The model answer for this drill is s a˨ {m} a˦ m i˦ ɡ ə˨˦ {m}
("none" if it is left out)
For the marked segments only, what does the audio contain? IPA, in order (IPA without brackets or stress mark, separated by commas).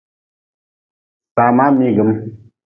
m, m